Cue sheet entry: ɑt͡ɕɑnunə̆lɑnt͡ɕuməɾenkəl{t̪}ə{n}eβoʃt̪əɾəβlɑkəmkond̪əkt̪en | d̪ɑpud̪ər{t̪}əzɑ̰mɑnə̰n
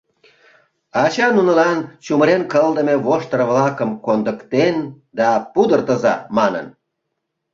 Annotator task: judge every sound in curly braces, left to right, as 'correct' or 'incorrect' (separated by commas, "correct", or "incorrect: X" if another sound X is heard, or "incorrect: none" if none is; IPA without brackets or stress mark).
incorrect: d̪, incorrect: m, correct